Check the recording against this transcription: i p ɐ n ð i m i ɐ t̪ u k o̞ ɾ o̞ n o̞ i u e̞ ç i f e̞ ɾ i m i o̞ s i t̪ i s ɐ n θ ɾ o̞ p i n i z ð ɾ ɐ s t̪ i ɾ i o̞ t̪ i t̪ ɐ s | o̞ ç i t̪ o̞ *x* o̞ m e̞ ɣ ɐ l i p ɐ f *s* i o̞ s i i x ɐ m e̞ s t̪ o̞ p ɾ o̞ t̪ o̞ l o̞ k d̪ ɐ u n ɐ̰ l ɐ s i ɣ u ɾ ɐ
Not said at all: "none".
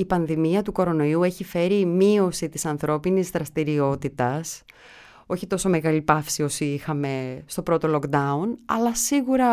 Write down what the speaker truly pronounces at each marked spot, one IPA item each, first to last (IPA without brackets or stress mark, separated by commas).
s, s